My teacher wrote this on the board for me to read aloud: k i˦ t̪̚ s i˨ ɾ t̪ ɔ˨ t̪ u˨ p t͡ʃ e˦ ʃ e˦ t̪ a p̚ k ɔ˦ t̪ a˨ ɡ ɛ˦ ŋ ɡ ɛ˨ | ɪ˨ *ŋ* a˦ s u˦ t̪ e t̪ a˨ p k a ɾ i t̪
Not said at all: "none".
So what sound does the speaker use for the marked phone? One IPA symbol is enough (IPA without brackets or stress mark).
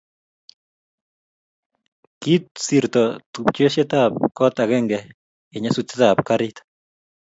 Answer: ɲ